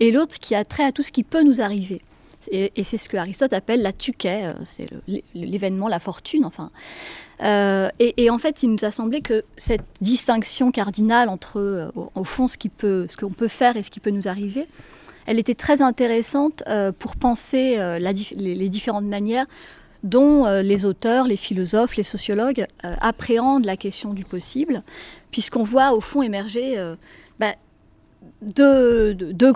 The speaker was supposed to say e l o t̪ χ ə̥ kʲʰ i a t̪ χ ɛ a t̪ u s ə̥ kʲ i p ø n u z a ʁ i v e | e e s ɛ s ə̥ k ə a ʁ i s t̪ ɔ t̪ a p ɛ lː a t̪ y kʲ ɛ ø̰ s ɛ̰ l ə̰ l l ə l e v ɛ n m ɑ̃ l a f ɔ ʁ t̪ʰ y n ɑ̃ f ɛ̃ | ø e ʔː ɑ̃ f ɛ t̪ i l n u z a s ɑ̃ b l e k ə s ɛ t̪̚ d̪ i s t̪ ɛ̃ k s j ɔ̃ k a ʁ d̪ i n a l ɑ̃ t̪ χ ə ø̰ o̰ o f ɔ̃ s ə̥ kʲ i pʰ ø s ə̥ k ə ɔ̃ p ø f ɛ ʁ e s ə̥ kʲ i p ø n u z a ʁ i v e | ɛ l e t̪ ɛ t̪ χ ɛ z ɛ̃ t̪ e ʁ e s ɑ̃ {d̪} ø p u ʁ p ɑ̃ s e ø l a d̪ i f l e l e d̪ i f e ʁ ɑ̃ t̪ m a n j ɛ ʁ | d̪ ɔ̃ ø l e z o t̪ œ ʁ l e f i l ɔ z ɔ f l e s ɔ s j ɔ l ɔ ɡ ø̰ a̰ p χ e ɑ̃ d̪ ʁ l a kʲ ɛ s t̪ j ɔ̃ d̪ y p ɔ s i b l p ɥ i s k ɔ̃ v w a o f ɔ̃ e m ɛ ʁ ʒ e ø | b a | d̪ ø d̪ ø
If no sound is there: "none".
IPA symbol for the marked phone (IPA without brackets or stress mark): t̪